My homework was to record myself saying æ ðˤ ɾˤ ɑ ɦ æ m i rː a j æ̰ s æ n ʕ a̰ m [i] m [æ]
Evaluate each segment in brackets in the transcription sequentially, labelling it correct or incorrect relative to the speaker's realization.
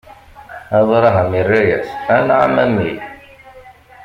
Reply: incorrect, incorrect

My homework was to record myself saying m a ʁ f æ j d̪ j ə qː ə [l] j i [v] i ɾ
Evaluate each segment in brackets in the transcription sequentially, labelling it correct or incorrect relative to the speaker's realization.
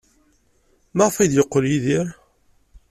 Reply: correct, incorrect

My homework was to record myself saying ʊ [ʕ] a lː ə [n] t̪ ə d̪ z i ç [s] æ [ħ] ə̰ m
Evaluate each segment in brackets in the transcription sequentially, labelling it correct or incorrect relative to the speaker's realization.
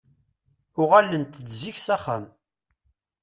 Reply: incorrect, correct, correct, incorrect

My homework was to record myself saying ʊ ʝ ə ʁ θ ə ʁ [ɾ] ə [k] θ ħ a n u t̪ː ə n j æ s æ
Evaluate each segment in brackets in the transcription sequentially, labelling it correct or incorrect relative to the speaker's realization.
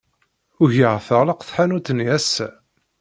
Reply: incorrect, incorrect

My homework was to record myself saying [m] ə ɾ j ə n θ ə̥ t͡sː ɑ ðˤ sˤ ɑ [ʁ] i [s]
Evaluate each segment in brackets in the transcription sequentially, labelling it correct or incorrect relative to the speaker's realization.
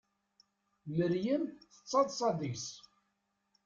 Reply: correct, incorrect, correct

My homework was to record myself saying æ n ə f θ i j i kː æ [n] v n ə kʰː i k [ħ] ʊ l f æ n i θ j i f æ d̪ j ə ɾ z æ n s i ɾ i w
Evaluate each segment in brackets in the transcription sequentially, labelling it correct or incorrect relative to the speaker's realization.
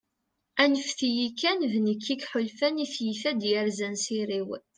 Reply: correct, correct

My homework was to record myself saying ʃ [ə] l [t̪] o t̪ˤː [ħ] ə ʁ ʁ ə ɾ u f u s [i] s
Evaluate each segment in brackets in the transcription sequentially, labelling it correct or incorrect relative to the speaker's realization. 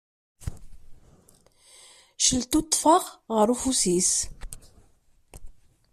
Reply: correct, correct, incorrect, correct

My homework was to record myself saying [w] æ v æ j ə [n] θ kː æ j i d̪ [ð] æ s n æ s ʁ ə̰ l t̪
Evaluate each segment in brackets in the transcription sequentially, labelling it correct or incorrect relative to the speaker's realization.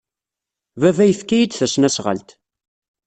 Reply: incorrect, incorrect, incorrect

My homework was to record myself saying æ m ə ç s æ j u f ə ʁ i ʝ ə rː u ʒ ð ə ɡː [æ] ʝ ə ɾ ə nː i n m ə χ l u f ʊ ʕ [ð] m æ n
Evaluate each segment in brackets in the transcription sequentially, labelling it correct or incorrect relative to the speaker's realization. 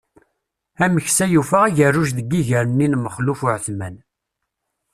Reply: incorrect, incorrect

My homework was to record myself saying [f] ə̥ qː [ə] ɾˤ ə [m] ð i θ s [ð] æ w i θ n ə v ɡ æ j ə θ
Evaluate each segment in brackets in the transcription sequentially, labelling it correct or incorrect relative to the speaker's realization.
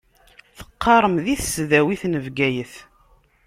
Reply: incorrect, incorrect, correct, correct

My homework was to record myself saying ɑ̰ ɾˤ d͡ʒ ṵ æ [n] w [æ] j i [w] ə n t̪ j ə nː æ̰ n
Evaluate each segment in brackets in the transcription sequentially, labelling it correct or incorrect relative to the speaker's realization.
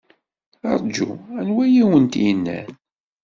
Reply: correct, correct, correct

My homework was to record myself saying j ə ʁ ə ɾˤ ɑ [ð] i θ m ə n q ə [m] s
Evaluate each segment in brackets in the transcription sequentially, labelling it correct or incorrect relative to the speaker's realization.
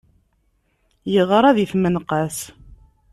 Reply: correct, incorrect

